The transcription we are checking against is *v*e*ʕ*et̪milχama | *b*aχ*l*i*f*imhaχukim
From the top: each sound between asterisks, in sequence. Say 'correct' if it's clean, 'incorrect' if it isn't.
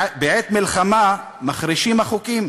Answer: incorrect: b, correct, incorrect: m, incorrect: ɾ, incorrect: ʃ

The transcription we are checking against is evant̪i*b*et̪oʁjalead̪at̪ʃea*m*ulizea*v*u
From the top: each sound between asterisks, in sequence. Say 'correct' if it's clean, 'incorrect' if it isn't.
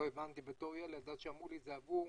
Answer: correct, correct, correct

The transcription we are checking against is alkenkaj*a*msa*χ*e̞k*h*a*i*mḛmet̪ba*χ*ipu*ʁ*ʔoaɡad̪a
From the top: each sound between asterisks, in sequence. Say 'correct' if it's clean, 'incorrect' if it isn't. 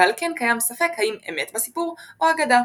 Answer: correct, incorrect: f, correct, correct, incorrect: s, correct

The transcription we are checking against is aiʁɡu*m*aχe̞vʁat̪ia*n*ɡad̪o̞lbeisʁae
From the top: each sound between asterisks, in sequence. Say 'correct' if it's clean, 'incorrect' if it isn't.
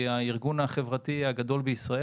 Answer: incorrect: n, incorrect: none

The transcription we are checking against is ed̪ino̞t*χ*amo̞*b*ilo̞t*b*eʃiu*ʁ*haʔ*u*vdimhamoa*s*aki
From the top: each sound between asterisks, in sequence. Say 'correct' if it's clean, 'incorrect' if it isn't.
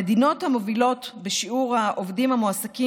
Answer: incorrect: h, incorrect: v, correct, correct, incorrect: o, correct

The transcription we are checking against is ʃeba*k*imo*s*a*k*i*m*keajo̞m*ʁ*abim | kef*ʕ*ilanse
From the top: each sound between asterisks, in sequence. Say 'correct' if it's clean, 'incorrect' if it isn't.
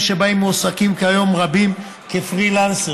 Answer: incorrect: none, correct, correct, correct, correct, incorrect: ʁ

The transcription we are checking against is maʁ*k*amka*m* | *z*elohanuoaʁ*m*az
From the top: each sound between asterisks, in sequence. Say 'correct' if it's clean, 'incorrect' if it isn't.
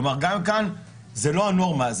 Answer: incorrect: ɡ, incorrect: n, correct, correct

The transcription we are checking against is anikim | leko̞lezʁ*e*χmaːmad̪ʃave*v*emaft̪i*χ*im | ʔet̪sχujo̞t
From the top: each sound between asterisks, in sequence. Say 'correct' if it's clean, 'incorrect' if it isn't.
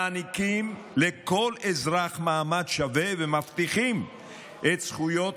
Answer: incorrect: a, correct, correct

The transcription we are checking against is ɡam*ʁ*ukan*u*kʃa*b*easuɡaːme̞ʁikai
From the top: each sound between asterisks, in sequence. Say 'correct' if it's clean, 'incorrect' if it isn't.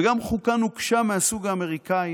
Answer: incorrect: χ, correct, incorrect: m

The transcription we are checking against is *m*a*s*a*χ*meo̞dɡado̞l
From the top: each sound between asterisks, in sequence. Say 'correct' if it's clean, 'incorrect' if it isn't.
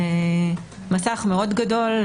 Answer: correct, correct, correct

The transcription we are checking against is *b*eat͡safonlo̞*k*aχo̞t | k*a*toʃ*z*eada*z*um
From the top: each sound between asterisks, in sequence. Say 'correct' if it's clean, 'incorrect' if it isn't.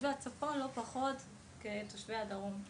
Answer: incorrect: v, incorrect: p, incorrect: e, incorrect: v, incorrect: ʁ

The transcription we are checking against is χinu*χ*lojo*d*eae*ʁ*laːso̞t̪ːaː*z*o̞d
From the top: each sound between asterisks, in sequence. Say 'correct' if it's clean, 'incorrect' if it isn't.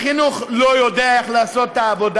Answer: correct, correct, incorrect: χ, incorrect: v

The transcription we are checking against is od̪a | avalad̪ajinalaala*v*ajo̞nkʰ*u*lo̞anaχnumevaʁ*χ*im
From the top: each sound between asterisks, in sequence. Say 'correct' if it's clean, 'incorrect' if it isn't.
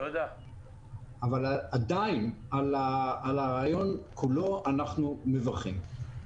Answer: incorrect: ʁ, correct, correct

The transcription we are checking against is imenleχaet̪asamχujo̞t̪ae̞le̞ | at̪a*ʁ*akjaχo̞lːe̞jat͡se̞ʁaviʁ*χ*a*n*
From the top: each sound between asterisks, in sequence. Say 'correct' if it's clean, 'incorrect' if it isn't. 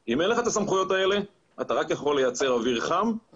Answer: correct, correct, incorrect: m

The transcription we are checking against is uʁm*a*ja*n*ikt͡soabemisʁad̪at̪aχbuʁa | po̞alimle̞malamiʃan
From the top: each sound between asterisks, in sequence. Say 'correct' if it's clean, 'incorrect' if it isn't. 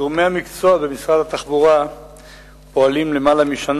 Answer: incorrect: e, incorrect: m

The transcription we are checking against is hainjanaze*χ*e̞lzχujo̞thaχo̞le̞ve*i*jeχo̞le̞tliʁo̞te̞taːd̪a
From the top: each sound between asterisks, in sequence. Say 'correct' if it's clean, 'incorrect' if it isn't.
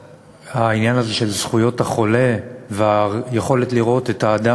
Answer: incorrect: ʃ, incorrect: a

